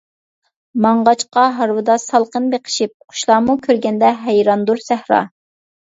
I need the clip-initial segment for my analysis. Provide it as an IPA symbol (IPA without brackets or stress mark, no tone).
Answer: m